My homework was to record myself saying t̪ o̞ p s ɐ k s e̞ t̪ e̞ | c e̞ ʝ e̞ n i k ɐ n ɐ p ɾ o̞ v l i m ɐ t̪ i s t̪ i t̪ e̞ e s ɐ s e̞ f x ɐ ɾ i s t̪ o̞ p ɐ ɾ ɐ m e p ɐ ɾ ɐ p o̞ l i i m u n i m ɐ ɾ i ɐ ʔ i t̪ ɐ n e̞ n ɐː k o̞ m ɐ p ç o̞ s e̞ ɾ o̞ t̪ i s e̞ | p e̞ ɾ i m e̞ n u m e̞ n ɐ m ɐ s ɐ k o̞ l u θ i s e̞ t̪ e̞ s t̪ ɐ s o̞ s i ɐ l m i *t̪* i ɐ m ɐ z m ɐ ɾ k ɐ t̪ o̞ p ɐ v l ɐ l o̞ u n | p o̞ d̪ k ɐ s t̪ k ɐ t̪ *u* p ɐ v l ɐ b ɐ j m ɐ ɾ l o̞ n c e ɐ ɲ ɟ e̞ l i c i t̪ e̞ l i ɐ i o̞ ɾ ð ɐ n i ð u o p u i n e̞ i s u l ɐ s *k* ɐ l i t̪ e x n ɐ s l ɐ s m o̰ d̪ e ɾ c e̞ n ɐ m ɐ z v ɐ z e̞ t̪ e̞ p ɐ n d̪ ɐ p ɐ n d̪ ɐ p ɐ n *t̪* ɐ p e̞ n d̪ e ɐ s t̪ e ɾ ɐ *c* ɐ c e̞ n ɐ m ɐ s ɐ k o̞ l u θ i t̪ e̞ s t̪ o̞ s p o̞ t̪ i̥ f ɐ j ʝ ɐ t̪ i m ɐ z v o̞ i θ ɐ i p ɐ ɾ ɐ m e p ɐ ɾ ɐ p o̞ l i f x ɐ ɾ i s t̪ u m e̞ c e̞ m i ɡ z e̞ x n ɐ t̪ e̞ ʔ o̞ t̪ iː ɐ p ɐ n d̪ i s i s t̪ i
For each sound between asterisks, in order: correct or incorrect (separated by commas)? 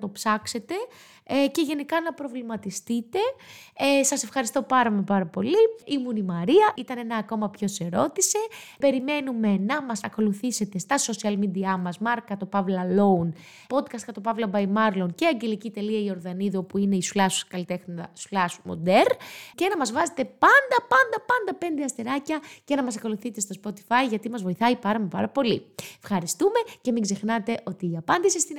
incorrect, incorrect, correct, incorrect, correct